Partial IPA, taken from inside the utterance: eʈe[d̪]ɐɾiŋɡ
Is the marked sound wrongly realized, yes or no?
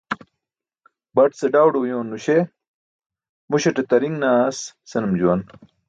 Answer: yes